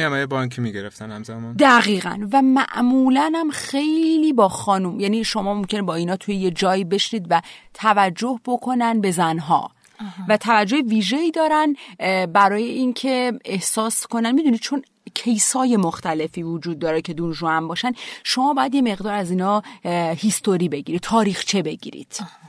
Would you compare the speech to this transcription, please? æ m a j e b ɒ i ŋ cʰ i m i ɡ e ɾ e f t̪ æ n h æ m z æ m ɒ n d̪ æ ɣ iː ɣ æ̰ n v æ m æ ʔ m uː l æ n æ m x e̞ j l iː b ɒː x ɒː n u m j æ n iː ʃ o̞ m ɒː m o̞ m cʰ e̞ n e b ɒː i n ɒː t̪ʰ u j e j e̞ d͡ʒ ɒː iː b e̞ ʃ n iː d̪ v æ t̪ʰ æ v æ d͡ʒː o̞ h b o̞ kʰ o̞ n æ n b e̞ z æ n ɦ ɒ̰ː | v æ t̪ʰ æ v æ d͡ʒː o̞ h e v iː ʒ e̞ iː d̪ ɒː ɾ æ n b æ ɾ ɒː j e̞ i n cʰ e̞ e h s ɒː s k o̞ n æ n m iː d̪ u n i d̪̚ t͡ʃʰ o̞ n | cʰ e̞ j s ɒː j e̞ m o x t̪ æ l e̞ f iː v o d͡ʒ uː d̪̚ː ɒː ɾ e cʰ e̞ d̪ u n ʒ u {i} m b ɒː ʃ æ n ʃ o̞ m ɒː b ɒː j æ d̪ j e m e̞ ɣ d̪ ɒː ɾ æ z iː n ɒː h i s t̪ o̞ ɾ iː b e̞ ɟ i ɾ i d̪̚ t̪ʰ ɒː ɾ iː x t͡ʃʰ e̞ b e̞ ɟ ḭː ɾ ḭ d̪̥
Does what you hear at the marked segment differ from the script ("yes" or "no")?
yes